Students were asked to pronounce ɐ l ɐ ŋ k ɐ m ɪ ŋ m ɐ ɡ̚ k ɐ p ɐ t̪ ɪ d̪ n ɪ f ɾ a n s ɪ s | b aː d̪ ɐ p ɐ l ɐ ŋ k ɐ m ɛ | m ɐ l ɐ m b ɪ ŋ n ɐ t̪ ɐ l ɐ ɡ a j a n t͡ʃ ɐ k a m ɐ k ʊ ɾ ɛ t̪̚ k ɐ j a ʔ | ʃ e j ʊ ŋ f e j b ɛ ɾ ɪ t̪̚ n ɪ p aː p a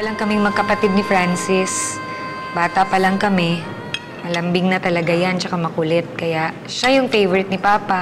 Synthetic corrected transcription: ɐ l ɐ ŋ k ɐ m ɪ ŋ m ɐ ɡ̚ k ɐ p ɐ t̪ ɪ d̪ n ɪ f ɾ a n s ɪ s | b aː t̪ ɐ p ɐ l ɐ ŋ k ɐ m ɛ | m ɐ l ɐ m b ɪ ŋ n ɐ t̪ ɐ l ɐ ɡ a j a n t͡ʃ ɐ k a m ɐ k ʊ l ɛ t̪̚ k ɐ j a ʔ | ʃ a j ʊ ŋ f e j v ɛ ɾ ɪ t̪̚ n ɪ p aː p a